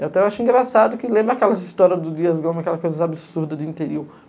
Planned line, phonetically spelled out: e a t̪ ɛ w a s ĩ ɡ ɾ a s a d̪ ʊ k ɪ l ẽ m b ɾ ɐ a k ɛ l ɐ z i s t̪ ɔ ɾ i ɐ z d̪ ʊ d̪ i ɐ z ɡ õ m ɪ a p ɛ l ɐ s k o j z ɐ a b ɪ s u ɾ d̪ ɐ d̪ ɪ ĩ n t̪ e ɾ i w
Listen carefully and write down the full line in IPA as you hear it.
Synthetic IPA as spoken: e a t̪ ɛ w a ʃ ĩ ɡ ɾ a s a d̪ ʊ k ɪ l ẽ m b ɾ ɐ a k ɛ l ɐ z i s t̪ ɔ ɾ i ɐ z d̪ ʊ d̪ i ɐ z ɡ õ m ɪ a k ɛ l ɐ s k o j z ɐ a b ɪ s u ɾ d̪ ɐ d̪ ɪ ĩ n t̪ e ɾ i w